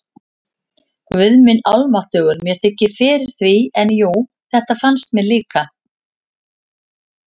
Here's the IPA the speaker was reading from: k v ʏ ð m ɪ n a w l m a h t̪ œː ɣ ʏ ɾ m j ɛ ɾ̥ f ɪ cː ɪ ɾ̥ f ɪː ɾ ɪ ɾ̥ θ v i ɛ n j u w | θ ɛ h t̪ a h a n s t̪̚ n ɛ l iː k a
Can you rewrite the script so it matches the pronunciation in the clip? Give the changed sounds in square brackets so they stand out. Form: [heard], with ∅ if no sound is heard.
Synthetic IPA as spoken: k v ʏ ð m ɪ n a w l m a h t̪ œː ɣ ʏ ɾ m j ɛ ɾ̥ [θ] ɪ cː ɪ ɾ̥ f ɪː ɾ ɪ ɾ̥ θ v i ɛ n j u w | θ ɛ h t̪ a [f] a n s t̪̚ [m] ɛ l iː k a

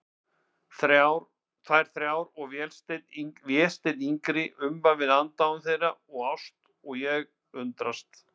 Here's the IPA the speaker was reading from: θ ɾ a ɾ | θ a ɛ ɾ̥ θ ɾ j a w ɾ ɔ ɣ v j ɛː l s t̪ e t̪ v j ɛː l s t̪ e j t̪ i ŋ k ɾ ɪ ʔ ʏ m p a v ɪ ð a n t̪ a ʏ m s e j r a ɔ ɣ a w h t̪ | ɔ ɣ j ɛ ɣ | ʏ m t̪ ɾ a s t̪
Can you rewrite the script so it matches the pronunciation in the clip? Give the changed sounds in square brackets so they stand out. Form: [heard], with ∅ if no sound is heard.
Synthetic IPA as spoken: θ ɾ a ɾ | θ a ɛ ɾ̥ θ ɾ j a w ɾ ɔ ɣ v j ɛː l s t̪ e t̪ v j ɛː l s t̪ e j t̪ i ŋ k ɾ ɪ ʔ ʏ m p a v ɪ ð a n t̪ a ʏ m [θ] e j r a ɔ ɣ a w [s] t̪ | ɔ ɣ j ɛ ɣ | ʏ [n] t̪ ɾ a s t̪

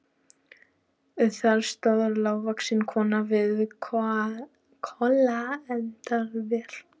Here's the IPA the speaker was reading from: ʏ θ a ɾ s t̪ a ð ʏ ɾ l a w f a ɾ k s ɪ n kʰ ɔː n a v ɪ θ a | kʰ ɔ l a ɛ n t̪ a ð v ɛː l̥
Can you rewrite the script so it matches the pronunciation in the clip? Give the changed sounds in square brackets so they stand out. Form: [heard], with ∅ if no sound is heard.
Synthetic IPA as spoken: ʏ θ a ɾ s t̪ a ð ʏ ɾ l a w [v] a [∅] k s ɪ n kʰ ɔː n a v ɪ [ð] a | kʰ ɔ l a ɛ n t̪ a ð v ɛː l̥

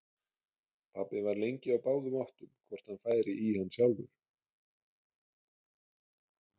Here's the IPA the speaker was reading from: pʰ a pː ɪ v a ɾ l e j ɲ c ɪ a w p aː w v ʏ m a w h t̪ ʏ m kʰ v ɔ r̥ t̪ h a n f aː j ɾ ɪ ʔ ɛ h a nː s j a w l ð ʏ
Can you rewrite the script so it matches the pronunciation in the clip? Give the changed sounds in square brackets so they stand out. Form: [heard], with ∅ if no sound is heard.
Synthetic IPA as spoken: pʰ a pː ɪ v a ɾ l e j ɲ c ɪ a w p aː w [ð] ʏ m a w h t̪ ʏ m kʰ v ɔ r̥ t̪ h a n f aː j ɾ ɪ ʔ [i] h a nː s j a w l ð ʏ

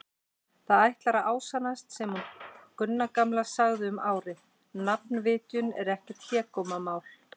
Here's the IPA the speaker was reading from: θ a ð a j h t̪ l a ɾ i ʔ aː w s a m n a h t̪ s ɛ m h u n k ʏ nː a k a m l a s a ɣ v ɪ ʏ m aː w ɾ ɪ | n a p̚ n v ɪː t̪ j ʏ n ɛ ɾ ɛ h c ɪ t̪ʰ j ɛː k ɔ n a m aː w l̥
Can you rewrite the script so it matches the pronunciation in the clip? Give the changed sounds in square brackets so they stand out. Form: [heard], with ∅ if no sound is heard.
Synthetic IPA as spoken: θ a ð a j h t̪ l a ɾ [a] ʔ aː w s a [∅] n a [s] t̪ s ɛ m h u n k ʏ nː a k a m l a s a ɣ [ð] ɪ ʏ m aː w ɾ ɪ | n a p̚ n v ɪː t̪ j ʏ n ɛ ɾ ɛ h c ɪ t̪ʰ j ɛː k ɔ [m] a m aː w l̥

